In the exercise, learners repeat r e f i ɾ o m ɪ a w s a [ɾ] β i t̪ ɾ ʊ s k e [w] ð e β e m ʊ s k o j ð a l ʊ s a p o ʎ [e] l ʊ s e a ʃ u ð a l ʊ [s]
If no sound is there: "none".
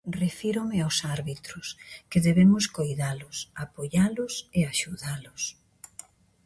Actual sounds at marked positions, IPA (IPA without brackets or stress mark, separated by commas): ɾ, none, a, s